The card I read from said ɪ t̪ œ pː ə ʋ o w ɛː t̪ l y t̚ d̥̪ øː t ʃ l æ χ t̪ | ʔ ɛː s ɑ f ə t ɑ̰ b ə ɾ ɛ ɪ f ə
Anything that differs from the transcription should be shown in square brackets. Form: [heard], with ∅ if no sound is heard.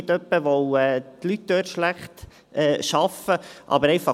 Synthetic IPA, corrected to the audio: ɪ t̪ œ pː ə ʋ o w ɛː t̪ l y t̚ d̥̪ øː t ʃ l æ χ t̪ | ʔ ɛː [ʃ] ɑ f ə [ʔ] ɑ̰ b ə ɾ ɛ ɪ f [ɑ]